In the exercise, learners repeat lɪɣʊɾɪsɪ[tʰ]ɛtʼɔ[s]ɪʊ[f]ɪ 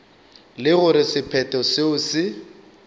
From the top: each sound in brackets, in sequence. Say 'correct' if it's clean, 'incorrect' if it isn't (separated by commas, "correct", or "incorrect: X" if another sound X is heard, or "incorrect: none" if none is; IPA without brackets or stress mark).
incorrect: pʰ, correct, incorrect: s